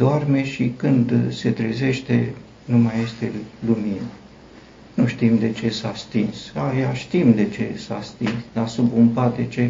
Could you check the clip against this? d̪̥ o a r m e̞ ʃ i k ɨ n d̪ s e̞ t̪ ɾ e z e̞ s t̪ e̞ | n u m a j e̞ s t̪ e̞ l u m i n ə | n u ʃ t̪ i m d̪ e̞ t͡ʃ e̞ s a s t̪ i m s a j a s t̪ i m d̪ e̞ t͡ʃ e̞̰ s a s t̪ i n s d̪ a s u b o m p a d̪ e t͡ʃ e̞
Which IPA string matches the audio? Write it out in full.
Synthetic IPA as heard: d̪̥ o a r m e̞ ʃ i k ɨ n d̪ s e̞ t̪ ɾ e z e̞ ʃ t̪ e̞ | n u m a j e̞ s t̪ e̞ l u m i n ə | n u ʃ t̪ i m d̪ e̞ t͡ʃ e̞ s a s t̪ i n s a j a ʃ t̪ i m d̪ e̞ t͡ʃ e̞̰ s a s t̪ i n s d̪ a s u b u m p a d̪ e t͡ʃ e̞